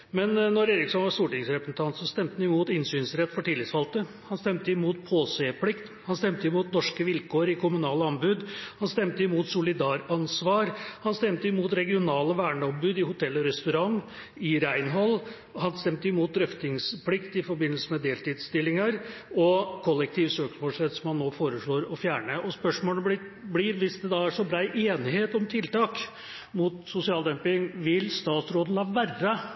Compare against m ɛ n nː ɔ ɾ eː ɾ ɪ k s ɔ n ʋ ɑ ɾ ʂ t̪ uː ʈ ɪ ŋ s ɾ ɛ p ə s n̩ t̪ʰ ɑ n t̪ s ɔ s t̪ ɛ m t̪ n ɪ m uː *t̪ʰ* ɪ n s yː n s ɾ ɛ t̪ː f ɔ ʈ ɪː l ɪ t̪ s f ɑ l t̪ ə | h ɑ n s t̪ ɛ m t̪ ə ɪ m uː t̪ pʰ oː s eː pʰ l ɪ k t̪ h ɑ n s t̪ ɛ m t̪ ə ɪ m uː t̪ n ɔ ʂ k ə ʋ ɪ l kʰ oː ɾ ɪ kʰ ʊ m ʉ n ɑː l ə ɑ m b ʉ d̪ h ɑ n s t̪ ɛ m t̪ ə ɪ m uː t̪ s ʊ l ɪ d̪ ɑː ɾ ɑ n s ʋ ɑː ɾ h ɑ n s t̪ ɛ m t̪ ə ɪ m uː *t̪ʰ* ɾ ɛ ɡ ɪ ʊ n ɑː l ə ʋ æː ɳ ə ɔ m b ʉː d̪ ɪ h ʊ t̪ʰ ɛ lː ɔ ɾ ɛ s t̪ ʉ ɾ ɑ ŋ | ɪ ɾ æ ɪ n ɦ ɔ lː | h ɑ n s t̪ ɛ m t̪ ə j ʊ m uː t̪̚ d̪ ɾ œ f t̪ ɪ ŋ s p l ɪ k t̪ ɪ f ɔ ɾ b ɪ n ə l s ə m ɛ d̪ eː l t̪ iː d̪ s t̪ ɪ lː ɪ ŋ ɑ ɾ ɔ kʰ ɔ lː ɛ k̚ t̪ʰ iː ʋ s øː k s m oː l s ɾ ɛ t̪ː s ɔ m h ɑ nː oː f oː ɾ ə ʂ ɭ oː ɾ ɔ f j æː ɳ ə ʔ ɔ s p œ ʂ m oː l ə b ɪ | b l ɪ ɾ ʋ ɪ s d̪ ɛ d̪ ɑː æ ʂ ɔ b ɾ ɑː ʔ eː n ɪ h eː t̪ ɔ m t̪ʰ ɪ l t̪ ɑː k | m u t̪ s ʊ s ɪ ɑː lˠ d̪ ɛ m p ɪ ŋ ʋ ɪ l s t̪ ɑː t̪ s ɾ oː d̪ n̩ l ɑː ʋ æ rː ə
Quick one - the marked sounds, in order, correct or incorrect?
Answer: incorrect, incorrect

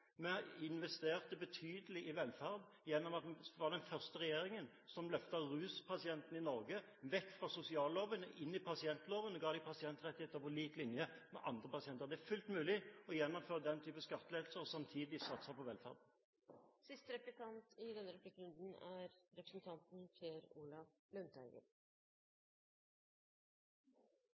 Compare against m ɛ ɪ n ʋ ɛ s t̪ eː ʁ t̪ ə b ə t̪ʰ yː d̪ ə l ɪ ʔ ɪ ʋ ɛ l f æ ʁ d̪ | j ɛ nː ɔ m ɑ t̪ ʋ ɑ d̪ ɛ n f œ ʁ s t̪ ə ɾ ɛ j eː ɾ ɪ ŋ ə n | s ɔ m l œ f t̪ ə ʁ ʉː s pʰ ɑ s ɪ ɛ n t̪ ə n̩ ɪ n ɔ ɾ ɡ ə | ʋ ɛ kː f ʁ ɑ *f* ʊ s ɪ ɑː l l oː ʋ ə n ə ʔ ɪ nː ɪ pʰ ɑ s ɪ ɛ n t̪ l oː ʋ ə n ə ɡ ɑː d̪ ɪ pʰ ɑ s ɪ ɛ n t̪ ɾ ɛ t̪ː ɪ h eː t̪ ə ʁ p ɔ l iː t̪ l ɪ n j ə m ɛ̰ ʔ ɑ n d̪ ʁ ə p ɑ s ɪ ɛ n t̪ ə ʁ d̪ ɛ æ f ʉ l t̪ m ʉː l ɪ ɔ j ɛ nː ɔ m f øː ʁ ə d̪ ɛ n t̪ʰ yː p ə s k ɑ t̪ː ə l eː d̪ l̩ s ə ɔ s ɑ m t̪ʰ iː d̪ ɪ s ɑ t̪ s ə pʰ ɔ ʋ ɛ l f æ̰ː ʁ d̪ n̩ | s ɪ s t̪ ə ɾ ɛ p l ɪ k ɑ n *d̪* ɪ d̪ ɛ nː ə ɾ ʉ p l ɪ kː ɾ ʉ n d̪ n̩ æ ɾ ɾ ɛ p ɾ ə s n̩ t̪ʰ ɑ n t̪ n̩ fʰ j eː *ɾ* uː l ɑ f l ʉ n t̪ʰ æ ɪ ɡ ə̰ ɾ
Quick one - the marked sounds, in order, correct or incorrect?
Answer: incorrect, incorrect, correct

